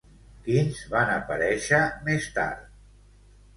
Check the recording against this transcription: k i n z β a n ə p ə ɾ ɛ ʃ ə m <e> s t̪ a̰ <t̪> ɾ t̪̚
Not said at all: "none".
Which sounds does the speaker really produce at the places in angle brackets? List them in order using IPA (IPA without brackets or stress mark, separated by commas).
e, none